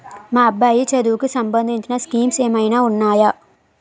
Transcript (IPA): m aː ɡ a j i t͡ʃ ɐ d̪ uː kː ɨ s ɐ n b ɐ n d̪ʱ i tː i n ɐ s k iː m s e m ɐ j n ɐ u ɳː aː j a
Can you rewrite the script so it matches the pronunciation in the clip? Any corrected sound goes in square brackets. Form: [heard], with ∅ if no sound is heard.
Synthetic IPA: m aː [b] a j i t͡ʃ ɐ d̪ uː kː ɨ s ɐ [m] b ɐ n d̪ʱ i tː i n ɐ s k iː m s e m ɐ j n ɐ u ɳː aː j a